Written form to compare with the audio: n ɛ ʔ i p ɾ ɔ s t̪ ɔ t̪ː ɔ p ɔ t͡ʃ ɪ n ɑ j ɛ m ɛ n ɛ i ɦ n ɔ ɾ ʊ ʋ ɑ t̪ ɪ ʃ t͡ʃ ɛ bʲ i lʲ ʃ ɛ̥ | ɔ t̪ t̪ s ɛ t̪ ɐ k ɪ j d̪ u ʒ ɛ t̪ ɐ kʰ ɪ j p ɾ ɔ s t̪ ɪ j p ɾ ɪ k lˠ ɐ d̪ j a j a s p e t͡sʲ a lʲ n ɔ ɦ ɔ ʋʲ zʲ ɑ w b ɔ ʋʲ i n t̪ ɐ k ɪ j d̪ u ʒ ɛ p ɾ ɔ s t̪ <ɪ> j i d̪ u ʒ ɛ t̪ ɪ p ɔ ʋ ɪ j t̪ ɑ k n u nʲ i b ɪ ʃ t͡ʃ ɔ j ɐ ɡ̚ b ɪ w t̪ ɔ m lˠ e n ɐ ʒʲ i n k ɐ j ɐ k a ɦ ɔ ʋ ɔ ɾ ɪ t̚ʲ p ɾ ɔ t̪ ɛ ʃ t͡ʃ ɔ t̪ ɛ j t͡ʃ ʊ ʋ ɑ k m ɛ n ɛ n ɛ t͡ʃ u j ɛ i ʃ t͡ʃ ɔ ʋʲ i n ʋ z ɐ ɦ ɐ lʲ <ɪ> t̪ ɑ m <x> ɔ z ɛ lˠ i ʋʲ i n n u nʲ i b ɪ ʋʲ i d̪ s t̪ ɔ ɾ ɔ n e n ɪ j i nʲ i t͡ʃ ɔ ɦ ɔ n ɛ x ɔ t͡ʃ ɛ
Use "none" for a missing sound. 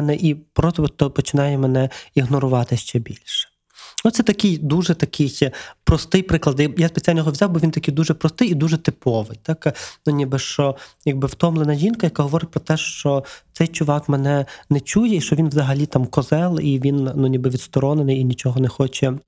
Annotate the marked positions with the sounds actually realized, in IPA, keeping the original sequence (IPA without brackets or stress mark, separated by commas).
ɪ, i, k